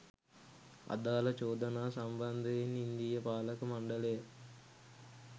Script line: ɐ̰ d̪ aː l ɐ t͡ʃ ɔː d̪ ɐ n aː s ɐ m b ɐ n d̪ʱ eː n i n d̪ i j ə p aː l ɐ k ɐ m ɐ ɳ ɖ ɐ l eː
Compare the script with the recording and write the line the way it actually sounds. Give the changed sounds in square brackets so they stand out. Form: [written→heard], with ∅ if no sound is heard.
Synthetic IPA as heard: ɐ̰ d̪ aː l ɐ t͡ʃ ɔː d̪ ɐ n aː s ɐ m b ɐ n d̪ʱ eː n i n d̪ i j [ə→ɐ] p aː l ɐ k ɐ m ɐ ɳ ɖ ɐ l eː